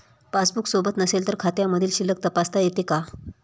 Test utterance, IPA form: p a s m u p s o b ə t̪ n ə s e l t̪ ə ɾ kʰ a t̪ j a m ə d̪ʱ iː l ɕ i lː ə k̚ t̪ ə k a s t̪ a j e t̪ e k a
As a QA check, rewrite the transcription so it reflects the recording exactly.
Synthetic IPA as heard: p a s b u k s o b ə t̪ n ə s e l t̪ ə ɾ kʰ a t̪ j a m ə d̪ʱ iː l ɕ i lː ə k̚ t̪ ə p a s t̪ a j e t̪ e k a

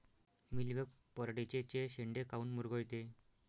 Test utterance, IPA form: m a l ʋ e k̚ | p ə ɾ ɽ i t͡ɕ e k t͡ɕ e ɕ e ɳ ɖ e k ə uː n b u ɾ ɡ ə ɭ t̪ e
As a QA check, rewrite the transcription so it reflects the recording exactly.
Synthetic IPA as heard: m i l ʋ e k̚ | p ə ɾ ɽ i t͡ɕ e t͡ɕ e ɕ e ɳ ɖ e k a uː n m u ɾ ɡ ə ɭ t̪ e

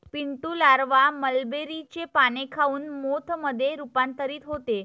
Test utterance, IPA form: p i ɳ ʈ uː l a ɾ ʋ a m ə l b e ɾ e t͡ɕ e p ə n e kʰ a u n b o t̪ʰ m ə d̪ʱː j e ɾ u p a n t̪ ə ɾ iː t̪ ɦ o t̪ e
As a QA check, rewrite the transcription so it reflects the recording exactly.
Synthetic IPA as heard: p i ɳ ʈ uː l a ɾ ʋ a m ə l b e ɾ i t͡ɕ e p a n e kʰ a uː n m o t̪ʰ m ə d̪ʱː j e ɾ u p a n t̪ ə ɾ iː t̪ ɦ o t̪ e

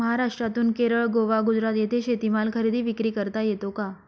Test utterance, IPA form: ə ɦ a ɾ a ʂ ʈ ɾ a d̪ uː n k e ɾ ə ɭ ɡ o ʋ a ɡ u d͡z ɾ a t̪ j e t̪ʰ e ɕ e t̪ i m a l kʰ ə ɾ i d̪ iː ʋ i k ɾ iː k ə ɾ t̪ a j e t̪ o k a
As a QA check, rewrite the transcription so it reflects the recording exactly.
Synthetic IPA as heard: ə ɦ a ɾ a ʂ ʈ ɾ a t̪ uː n k e ɾ ə ɭ ɡ o ʋ a ɡ u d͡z ɾ a t̪ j e t̪ʰ e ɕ e t̪ i m a l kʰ ə ɾ i d̪ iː ʋ i k ɾ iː k ə ɾ t̪ a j e t̪ o k a

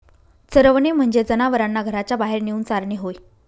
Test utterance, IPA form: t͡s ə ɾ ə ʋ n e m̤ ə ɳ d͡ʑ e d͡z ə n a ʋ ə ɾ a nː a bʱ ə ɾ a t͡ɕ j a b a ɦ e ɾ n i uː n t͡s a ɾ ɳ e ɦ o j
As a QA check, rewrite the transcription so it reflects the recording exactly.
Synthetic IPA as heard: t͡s ə ɾ ə ʋ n e m̤ ə ɳ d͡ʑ e d͡z ə n a ʋ ə ɾ a nː a ɡʱ ə ɾ a t͡ɕ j a b a ɦ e ɾ n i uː n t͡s a ɾ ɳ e ɦ o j

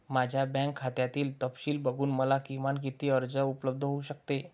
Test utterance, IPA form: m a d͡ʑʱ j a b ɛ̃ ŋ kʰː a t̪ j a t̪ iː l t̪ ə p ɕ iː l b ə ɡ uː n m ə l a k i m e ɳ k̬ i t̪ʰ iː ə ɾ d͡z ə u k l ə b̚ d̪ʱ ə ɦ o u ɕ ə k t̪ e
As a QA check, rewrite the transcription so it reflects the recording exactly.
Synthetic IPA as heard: m a d͡ʑʱ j a b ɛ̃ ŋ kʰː a t̪ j a t̪ iː l t̪ ə p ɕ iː l b ə ɡ uː n m ə l a k i m a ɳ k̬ i t̪ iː ə ɾ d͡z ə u p l ə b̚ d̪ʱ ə ɦ o u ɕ ə k t̪ e

